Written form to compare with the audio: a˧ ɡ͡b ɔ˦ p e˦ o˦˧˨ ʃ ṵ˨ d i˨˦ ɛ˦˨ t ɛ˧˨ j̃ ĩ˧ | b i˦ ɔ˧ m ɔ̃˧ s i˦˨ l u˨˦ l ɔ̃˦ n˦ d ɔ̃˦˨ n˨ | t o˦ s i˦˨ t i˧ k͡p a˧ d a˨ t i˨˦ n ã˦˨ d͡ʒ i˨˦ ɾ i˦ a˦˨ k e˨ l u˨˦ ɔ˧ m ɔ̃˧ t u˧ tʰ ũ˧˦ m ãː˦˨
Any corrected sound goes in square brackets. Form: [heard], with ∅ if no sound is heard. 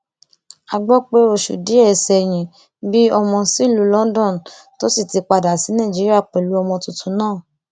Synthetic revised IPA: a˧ ɡ͡b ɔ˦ [k͡p] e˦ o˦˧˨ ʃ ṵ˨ d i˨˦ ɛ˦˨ [s] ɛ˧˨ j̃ ĩ˧ | b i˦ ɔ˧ m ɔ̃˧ s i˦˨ l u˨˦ l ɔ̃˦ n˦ d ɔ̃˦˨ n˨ | t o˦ s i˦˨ t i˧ k͡p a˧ d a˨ [s] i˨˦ n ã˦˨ d͡ʒ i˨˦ ɾ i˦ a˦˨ [k͡p] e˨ l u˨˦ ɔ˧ m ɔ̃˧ t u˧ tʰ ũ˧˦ [n] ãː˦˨